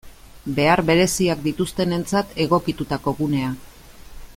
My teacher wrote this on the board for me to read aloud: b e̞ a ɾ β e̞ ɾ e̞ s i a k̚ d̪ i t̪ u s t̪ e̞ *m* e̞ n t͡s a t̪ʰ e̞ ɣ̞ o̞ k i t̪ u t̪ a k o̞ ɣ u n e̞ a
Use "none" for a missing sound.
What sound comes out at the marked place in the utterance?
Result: n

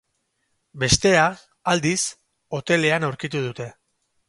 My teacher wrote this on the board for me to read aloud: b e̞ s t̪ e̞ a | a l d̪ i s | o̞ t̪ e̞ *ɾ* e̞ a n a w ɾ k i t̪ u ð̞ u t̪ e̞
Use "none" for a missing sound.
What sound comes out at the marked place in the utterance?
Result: l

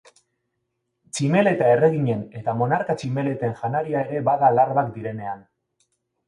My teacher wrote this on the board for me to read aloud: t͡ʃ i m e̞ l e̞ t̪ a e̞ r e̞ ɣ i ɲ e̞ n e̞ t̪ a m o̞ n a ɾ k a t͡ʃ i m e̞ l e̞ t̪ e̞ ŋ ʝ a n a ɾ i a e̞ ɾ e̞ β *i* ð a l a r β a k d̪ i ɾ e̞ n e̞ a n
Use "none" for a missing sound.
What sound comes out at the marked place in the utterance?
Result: a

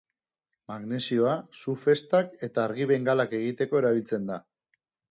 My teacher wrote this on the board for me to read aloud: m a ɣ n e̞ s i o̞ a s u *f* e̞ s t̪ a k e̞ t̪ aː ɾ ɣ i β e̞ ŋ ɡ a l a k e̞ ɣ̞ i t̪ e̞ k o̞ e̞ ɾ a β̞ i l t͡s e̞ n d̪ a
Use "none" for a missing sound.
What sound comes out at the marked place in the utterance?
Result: f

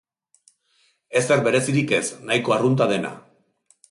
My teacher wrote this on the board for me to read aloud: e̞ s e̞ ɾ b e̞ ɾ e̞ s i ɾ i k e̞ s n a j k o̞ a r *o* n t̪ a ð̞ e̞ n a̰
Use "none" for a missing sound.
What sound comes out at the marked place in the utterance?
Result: u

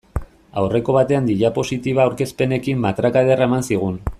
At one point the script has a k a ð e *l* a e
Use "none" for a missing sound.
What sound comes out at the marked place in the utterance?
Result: r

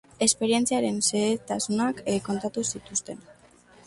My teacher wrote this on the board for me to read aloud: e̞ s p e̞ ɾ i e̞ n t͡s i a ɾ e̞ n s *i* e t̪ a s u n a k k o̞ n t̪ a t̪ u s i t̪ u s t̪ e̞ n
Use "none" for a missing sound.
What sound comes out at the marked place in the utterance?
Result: e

